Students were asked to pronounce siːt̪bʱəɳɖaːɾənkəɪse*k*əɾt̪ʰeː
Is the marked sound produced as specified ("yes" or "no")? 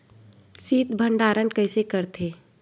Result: yes